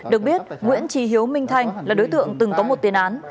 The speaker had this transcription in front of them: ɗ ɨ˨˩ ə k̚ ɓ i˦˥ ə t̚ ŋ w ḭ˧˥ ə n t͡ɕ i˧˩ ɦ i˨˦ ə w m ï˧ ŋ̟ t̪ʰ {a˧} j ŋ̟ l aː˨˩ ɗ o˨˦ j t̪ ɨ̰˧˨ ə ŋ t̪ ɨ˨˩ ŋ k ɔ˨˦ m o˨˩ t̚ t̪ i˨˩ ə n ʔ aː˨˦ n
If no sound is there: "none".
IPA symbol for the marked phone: a˧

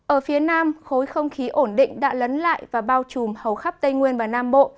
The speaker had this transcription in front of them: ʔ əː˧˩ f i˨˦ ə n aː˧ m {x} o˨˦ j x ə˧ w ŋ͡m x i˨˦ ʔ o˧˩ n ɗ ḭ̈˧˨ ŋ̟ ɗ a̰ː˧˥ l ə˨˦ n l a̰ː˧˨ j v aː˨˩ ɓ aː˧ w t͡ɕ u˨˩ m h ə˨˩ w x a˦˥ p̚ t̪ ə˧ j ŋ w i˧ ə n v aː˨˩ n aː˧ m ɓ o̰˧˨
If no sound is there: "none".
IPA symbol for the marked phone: x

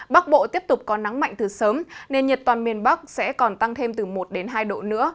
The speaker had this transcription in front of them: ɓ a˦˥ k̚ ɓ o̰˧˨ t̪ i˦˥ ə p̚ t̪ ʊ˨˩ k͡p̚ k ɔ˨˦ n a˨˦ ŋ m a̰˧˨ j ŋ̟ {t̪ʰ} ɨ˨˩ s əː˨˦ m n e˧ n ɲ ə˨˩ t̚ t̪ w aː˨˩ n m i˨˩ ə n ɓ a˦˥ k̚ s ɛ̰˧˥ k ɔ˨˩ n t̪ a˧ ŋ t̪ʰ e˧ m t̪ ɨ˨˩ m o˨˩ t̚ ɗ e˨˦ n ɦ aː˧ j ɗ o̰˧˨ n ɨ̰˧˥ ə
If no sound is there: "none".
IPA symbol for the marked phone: t̪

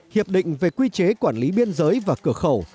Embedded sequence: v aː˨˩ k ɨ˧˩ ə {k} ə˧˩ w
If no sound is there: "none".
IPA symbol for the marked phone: x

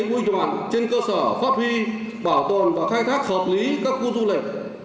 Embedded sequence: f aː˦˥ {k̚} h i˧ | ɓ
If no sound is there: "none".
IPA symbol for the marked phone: p̚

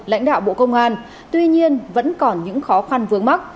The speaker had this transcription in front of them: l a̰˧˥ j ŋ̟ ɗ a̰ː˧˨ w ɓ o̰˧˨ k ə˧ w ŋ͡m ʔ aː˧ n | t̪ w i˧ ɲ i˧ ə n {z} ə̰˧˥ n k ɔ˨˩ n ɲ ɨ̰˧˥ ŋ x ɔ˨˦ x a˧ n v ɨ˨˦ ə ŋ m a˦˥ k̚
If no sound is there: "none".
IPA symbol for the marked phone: v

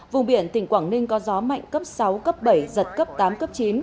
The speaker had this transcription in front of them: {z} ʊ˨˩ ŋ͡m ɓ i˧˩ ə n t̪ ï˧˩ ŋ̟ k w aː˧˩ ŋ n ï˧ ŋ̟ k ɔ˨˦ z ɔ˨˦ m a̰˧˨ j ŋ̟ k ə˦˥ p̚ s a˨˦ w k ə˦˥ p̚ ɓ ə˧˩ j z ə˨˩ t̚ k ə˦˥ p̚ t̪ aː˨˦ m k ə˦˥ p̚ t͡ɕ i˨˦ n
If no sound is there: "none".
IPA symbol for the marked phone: v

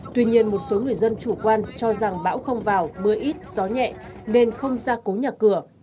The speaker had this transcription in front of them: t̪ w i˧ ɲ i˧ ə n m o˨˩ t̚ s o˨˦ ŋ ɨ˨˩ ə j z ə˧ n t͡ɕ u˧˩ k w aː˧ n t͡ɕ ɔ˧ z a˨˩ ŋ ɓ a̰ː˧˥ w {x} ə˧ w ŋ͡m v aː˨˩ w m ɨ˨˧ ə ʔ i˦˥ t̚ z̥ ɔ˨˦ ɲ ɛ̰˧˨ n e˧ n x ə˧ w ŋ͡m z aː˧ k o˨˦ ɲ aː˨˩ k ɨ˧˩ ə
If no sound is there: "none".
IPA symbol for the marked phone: x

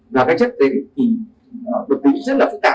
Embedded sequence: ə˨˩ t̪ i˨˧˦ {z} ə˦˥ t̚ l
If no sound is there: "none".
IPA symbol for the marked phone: z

